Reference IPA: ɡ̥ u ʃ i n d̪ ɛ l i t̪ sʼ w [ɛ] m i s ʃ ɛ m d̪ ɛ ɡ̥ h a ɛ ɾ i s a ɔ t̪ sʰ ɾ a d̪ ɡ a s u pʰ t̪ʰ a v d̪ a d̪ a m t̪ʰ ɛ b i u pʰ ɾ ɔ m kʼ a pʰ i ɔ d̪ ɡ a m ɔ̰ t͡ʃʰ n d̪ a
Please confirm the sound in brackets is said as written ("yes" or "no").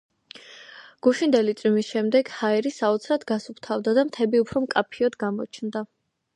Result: no